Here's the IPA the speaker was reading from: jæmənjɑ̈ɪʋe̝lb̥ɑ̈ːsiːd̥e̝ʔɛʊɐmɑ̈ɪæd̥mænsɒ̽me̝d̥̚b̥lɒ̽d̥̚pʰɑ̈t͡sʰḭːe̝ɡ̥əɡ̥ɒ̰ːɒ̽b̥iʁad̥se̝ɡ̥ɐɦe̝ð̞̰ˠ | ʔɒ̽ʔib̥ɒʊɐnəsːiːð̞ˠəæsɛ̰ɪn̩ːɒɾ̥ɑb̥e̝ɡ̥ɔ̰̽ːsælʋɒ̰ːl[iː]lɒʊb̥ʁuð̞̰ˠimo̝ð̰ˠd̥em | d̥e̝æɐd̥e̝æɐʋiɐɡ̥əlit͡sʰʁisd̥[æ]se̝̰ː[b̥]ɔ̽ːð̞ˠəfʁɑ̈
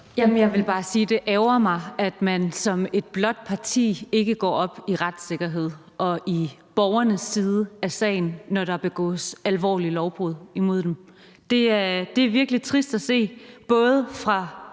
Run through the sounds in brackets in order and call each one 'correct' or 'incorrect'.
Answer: incorrect, correct, correct

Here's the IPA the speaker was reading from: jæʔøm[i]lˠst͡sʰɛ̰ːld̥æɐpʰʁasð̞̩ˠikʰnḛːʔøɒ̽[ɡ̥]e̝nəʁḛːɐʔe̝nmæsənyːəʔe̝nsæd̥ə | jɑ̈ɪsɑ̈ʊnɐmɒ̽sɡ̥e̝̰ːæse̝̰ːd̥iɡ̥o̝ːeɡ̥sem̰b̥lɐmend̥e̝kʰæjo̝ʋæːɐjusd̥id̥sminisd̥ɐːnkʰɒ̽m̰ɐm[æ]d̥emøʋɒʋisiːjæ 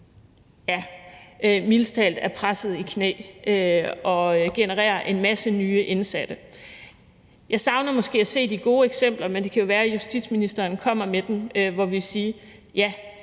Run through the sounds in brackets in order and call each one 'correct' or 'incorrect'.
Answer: correct, correct, incorrect

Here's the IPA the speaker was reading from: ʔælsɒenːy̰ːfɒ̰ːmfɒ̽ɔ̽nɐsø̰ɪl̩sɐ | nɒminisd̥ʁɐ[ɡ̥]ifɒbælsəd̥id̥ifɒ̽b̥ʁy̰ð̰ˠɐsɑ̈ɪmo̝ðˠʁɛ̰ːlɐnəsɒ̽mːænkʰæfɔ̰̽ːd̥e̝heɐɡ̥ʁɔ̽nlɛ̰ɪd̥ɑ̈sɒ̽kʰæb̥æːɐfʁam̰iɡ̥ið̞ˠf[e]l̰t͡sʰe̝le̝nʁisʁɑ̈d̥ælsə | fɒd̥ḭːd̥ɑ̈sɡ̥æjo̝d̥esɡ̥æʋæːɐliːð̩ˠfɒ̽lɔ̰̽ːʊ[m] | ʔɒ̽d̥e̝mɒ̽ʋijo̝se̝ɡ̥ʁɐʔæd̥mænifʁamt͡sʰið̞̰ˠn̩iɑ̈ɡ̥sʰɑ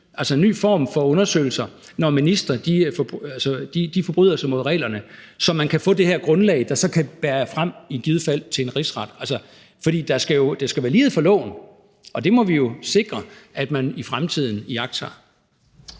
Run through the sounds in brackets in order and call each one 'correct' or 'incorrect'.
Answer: incorrect, incorrect, incorrect

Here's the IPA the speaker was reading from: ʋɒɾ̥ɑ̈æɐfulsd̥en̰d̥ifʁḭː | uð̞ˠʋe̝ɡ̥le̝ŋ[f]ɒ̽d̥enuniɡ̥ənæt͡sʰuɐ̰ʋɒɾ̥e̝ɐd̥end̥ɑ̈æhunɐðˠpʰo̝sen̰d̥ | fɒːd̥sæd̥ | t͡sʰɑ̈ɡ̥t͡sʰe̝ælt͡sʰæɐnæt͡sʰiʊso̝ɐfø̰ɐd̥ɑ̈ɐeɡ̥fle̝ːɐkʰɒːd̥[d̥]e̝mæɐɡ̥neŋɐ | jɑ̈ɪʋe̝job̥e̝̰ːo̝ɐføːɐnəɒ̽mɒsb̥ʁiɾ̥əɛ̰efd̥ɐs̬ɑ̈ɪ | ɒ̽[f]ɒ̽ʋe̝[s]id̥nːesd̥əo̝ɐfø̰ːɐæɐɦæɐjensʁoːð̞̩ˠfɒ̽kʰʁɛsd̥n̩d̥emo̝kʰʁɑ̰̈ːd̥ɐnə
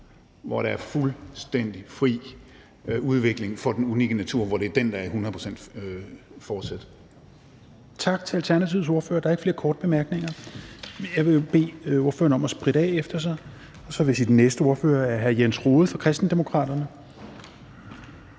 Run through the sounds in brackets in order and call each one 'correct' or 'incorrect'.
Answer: correct, incorrect, incorrect, correct

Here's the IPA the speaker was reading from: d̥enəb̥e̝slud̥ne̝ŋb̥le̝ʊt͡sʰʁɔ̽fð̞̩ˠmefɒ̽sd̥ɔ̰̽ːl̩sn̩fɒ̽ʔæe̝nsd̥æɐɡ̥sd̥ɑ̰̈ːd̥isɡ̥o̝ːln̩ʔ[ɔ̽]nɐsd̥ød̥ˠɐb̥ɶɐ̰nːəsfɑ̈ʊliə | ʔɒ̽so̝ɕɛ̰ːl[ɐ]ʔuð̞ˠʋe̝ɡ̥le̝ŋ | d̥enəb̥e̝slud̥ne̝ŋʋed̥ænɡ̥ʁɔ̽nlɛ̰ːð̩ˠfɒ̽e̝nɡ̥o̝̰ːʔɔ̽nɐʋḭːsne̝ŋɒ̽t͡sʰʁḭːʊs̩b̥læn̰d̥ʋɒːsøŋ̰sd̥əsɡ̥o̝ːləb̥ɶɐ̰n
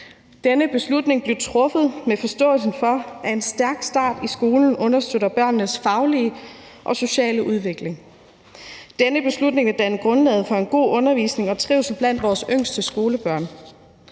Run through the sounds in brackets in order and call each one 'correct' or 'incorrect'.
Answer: correct, incorrect

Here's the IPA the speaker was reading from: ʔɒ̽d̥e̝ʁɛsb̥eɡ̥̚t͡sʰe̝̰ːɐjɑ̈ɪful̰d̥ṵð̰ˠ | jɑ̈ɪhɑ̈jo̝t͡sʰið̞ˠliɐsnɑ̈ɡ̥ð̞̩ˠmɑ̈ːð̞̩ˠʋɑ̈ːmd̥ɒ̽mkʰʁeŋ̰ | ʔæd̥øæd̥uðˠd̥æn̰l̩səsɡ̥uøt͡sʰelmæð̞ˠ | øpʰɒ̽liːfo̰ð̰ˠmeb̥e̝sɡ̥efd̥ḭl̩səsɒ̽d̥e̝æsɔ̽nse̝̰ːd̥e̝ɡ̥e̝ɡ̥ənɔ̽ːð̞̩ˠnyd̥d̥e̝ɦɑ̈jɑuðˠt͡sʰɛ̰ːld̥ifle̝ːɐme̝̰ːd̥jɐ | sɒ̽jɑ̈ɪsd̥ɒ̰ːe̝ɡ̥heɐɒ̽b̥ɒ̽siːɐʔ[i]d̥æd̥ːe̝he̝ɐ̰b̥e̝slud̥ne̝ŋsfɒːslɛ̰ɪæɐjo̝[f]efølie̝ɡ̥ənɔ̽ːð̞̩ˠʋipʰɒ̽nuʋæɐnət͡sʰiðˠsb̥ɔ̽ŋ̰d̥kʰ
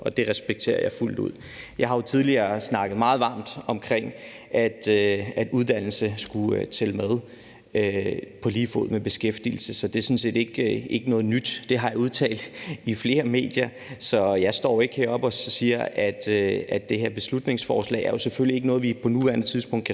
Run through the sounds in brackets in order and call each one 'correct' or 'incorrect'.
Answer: incorrect, incorrect

